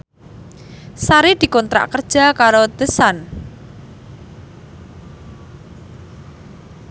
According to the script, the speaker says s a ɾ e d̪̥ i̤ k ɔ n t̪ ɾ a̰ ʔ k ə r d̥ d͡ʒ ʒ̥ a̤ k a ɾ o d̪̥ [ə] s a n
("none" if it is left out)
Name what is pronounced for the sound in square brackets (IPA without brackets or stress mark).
ə